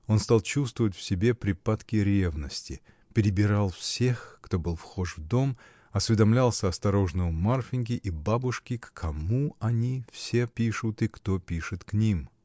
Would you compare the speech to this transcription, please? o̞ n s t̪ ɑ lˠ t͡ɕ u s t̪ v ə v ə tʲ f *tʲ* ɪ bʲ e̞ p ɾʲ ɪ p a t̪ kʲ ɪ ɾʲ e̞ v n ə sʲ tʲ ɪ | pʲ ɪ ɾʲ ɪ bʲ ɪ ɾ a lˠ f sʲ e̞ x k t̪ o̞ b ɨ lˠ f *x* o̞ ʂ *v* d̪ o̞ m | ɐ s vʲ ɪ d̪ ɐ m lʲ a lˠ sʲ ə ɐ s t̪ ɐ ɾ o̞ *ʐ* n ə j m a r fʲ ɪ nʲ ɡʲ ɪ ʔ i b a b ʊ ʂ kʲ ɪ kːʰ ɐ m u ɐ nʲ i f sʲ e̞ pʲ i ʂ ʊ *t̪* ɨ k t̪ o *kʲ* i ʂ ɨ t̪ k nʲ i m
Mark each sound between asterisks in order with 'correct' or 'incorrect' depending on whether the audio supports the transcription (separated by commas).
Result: incorrect, correct, correct, correct, correct, incorrect